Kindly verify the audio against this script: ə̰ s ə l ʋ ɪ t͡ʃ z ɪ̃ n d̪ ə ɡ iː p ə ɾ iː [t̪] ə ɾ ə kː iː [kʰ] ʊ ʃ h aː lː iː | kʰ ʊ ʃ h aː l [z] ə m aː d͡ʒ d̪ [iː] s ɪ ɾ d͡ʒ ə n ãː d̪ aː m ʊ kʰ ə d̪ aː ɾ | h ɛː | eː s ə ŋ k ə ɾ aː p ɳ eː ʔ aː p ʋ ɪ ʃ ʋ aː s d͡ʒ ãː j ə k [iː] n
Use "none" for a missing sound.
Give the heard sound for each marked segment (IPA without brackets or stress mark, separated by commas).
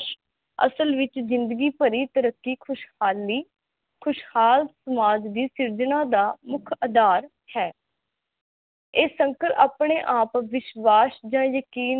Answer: t̪, kʰ, s, iː, iː